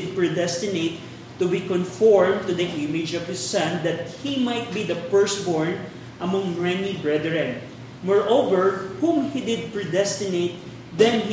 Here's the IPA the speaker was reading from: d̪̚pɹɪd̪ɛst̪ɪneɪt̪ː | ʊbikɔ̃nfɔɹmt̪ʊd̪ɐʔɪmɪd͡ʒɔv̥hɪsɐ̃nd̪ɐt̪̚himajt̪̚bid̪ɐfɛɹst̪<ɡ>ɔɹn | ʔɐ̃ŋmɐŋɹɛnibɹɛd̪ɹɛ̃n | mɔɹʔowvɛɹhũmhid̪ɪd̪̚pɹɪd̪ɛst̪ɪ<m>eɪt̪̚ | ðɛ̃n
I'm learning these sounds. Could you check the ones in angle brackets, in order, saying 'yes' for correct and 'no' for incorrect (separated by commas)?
no, no